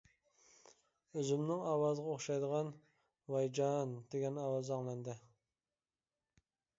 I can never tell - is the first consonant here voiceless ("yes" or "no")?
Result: no